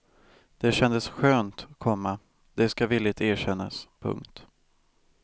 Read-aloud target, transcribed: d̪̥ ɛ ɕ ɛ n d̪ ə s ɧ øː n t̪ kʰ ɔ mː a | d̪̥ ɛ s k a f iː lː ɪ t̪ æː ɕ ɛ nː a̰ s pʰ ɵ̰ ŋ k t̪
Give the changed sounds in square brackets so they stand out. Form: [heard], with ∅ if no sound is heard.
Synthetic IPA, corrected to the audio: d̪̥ ɛ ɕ ɛ n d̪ ə s ɧ øː n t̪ kʰ ɔ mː a | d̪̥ ɛ s k a [v] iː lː ɪ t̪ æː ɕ ɛ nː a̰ s pʰ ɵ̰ ŋ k t̪